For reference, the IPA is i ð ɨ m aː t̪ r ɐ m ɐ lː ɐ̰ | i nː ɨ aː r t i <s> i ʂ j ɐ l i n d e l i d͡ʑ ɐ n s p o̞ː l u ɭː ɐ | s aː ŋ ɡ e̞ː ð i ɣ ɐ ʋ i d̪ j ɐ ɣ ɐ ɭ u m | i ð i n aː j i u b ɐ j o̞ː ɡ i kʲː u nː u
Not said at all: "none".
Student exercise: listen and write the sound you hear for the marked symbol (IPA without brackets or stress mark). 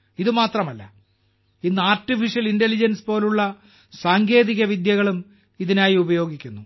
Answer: f